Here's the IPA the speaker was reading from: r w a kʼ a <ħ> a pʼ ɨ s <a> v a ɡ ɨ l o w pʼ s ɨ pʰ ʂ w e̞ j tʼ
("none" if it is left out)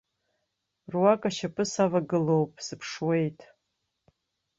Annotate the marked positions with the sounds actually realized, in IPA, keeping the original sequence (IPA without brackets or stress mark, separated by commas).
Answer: ʃ, a